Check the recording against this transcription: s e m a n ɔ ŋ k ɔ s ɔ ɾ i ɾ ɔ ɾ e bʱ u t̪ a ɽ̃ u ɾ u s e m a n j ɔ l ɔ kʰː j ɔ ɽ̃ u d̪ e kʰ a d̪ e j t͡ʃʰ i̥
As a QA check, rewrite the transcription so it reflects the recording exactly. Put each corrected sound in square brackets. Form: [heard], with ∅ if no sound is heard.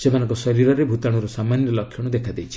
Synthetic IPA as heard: s e m a n ɔ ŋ k ɔ s ɔ ɾ i ɾ ɔ ɾ e bʱ u t̪ a ɽ̃ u ɾ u s [a] m a n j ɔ l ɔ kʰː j ɔ ɽ̃ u d̪ e kʰ a d̪ e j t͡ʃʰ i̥